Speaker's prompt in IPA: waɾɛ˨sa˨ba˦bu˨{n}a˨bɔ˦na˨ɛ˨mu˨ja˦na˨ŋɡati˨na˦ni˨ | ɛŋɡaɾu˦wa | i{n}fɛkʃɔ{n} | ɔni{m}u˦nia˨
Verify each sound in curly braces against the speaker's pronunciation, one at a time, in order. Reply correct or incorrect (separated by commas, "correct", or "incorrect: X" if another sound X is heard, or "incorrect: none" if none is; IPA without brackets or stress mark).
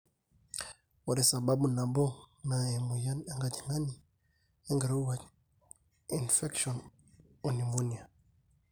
correct, correct, correct, correct